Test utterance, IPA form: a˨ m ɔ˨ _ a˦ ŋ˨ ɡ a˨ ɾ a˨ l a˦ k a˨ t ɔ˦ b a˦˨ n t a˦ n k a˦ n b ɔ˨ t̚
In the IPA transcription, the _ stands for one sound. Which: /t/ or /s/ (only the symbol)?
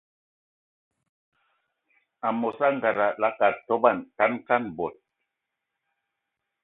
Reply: s